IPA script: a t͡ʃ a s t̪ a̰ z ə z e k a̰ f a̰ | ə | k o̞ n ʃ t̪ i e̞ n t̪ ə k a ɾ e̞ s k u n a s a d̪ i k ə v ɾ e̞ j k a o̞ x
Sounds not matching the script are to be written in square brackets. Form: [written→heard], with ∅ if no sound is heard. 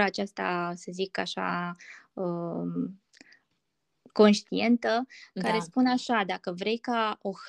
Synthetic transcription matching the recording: a t͡ʃ a s t̪ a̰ [z→s] ə z [e→i] k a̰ [f→ʃ] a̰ | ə | k o̞ n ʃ t̪ i e̞ n t̪ ə k a ɾ e̞ s [k→p] u n a [s→ʃ] a d̪ [i→a] k ə v ɾ e̞ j k a o̞ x